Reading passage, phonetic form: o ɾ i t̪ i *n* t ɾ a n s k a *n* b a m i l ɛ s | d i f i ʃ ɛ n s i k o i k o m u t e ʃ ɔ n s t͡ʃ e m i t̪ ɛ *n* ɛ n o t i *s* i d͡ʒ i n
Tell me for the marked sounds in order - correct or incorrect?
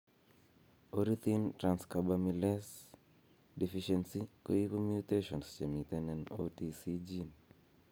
correct, incorrect: none, correct, correct

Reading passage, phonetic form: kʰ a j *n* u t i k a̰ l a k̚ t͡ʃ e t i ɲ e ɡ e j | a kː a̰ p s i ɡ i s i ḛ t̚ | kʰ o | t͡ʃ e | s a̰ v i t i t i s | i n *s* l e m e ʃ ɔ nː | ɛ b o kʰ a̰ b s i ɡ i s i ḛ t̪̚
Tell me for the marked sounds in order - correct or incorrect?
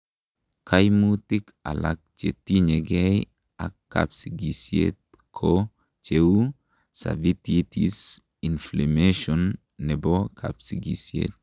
incorrect: m, incorrect: f

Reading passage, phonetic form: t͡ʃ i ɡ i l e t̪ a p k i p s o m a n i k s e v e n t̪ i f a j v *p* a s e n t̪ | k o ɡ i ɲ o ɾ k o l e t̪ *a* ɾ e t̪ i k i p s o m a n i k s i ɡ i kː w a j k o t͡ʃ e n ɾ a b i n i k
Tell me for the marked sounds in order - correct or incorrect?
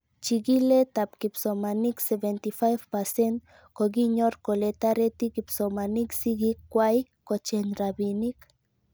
correct, correct

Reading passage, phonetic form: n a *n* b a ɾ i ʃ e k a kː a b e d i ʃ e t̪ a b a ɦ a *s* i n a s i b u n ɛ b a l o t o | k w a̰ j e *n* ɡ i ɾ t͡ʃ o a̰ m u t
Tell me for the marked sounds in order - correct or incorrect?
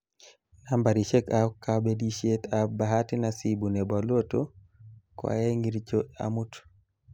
incorrect: m, incorrect: t, incorrect: ŋ

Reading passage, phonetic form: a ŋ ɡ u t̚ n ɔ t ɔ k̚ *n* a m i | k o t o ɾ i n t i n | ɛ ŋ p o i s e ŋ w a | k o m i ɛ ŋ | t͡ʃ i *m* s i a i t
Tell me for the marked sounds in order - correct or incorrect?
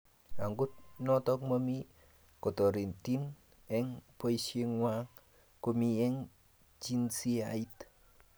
incorrect: m, incorrect: n

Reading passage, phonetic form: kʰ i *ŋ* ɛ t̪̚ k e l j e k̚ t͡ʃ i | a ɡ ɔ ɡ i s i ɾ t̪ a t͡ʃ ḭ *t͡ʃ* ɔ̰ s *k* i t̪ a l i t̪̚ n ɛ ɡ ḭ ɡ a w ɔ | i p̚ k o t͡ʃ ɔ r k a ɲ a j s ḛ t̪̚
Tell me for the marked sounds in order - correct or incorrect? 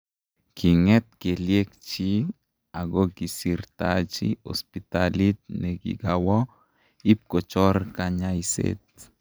correct, incorrect: none, incorrect: p

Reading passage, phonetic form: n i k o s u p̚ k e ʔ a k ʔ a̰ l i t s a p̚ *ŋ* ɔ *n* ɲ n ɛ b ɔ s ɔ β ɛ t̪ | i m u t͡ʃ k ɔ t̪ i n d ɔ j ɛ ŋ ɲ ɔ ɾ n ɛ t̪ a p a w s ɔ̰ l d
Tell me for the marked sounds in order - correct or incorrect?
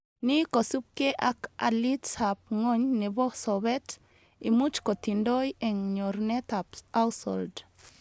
correct, incorrect: none

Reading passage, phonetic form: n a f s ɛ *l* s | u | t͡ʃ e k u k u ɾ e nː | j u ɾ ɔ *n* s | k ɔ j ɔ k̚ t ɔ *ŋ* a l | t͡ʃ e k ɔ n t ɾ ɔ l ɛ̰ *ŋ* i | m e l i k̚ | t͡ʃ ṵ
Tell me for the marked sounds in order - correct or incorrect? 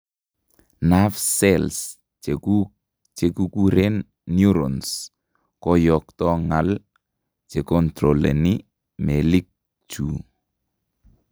correct, correct, correct, incorrect: n

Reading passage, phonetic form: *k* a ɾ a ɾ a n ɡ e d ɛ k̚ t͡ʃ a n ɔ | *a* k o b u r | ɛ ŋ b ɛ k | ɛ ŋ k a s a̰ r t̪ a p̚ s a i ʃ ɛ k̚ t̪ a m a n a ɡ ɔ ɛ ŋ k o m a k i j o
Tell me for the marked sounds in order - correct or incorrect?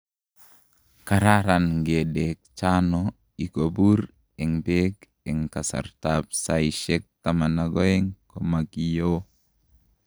correct, incorrect: i

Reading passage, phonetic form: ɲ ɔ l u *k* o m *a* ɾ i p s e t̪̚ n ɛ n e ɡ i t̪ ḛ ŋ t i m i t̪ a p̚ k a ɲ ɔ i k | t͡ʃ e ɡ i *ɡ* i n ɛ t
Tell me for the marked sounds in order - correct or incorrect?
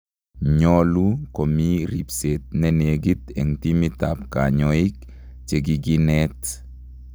correct, incorrect: i, correct

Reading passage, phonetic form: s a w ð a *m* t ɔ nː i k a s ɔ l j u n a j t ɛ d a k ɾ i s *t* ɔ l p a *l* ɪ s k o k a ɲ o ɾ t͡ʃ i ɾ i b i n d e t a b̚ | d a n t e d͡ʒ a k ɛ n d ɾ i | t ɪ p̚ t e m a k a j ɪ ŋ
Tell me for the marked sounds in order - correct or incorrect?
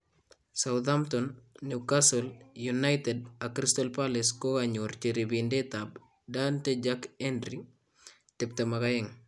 correct, correct, correct

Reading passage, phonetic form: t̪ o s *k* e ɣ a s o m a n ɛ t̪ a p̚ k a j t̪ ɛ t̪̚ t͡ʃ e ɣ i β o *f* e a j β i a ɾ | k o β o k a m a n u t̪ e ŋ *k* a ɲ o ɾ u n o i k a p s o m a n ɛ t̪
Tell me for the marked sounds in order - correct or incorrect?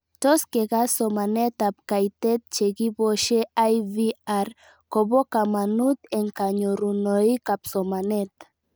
correct, incorrect: ʃ, correct

